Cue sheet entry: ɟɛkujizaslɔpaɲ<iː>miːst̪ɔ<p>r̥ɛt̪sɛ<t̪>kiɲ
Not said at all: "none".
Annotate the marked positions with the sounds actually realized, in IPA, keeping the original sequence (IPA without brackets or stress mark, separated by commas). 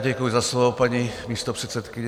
i, p, t̪